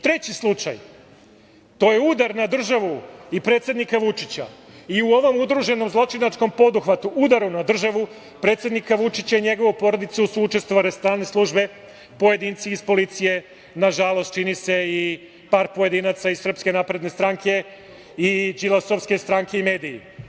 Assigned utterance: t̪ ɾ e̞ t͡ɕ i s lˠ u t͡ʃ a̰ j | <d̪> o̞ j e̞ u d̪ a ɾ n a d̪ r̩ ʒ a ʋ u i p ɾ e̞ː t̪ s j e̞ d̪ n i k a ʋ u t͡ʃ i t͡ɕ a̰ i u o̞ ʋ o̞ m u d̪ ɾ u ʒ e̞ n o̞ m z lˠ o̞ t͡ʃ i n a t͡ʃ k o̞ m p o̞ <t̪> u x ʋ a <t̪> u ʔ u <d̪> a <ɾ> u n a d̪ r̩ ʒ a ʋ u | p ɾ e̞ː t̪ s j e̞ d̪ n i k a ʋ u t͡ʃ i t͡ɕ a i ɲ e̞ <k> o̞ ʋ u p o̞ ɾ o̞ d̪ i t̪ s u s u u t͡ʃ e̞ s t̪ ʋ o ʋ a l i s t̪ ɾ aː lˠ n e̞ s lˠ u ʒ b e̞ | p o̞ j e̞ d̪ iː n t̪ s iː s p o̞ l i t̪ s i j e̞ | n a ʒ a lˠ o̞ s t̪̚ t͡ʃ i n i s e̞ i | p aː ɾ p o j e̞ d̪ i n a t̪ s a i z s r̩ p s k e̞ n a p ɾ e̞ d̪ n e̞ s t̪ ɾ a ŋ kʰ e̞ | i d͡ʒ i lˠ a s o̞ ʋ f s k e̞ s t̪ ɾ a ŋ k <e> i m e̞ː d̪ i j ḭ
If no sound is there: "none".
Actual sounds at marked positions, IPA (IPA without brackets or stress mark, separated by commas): t̪, d̪, t̪, d̪, ɾ, ɡ, e